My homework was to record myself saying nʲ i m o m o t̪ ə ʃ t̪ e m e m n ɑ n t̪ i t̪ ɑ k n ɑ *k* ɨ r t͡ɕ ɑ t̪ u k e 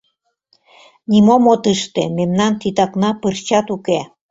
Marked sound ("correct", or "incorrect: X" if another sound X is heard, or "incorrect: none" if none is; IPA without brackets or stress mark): incorrect: p